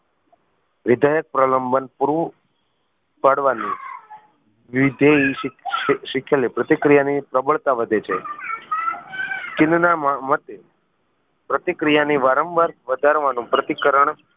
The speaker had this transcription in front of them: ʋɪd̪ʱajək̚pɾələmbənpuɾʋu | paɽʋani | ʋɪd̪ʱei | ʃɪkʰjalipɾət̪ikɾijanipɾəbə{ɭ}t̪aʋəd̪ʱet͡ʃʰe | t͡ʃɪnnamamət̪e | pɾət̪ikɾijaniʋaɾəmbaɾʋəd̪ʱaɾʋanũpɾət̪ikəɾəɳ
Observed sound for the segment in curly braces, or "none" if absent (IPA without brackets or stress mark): ɭ